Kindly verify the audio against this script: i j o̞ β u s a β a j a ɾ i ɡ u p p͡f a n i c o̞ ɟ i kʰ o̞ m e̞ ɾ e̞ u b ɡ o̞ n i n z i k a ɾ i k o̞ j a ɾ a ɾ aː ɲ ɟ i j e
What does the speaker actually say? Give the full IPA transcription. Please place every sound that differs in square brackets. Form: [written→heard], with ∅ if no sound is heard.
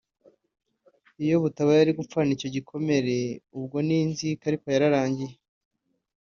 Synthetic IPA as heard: i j o̞ β u [s→t] a β a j a ɾ i ɡ u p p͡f a n i c o̞ ɟ i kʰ o̞ m e̞ ɾ e̞ u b ɡ o̞ n i n z i k a ɾ i k o̞ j a ɾ a ɾ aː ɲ ɟ i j e